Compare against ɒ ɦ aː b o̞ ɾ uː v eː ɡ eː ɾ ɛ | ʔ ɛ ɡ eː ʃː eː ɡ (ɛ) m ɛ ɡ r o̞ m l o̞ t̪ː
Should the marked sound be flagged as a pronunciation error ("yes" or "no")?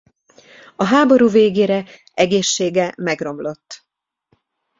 no